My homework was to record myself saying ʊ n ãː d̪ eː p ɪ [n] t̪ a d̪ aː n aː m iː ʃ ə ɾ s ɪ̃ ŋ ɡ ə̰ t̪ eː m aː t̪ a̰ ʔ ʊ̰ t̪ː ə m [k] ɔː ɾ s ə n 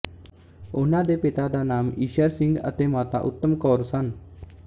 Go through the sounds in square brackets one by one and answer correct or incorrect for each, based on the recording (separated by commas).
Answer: incorrect, correct